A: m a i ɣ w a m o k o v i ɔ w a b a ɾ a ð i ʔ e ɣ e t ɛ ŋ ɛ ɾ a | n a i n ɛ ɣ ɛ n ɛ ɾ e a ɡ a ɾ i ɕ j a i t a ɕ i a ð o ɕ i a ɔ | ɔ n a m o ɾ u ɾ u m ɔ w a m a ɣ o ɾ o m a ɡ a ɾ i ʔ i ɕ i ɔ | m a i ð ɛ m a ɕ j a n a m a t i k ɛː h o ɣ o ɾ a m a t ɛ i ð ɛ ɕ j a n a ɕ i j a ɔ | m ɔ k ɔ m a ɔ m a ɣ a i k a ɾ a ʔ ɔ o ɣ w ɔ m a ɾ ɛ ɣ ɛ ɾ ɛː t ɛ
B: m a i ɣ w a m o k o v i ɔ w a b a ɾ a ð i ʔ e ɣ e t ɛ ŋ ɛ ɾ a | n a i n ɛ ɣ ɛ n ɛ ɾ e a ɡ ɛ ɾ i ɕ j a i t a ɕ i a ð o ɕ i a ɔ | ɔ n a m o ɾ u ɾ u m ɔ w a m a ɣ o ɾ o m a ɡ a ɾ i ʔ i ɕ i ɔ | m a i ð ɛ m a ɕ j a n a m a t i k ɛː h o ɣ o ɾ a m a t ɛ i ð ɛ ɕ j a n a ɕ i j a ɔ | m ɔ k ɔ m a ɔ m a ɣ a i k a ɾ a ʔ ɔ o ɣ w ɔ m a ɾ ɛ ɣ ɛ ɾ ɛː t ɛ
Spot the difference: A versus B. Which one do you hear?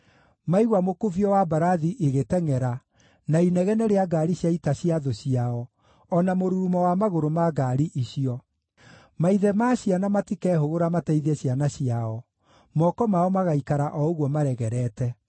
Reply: A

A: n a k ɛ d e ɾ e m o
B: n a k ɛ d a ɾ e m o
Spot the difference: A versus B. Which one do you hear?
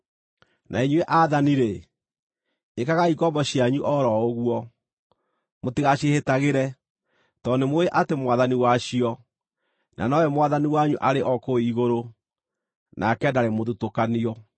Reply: B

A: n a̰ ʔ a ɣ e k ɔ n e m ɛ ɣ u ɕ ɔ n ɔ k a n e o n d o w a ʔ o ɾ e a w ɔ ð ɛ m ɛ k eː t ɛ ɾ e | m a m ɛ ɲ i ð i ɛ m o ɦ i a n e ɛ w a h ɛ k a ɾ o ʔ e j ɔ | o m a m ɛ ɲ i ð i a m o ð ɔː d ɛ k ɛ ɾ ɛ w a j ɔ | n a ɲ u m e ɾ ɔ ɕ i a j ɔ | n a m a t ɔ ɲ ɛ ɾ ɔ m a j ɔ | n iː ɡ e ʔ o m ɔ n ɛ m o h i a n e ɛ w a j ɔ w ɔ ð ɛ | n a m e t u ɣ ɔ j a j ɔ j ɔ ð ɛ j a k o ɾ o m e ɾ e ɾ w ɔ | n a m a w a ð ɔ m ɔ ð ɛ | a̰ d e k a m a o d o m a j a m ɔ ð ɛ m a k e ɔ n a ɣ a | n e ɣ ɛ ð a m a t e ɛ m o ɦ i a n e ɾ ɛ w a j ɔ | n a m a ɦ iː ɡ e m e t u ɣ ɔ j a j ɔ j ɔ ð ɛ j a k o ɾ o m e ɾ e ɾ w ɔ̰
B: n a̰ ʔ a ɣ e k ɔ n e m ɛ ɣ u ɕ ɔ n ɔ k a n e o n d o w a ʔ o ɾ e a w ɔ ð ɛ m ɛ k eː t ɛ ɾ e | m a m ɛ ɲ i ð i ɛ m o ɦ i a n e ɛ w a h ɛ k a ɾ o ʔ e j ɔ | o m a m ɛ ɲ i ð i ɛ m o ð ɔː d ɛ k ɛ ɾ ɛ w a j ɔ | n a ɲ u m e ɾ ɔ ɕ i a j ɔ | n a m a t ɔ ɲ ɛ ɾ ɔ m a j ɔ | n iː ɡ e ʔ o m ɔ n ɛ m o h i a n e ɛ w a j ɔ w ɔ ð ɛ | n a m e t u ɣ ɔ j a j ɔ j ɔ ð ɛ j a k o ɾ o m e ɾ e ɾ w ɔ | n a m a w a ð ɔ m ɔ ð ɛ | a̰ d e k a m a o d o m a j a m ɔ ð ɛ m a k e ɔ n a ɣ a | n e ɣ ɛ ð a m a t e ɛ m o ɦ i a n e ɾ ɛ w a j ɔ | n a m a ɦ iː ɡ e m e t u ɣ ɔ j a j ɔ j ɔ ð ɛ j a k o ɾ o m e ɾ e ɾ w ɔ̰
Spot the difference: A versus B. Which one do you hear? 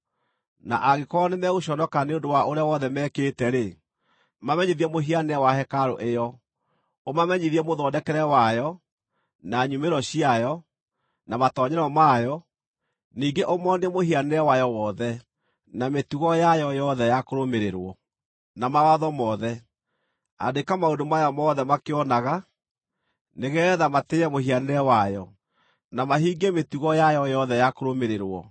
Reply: B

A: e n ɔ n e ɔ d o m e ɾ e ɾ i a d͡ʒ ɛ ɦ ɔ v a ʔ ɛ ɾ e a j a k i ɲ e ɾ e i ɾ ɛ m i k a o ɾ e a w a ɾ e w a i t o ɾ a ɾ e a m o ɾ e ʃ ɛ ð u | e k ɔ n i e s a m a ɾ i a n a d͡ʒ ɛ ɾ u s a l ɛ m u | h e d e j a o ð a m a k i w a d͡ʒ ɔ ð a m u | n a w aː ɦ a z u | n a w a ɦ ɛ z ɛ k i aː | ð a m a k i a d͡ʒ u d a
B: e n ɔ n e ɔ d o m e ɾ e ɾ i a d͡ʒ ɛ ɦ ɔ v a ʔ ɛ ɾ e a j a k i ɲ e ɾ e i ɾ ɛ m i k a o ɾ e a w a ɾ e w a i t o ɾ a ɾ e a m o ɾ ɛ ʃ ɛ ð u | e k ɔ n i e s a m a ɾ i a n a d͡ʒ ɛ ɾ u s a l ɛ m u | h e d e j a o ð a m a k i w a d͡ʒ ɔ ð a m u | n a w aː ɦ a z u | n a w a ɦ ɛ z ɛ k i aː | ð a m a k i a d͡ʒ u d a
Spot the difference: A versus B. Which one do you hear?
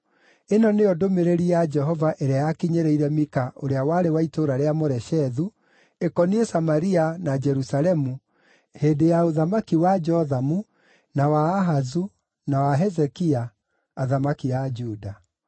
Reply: B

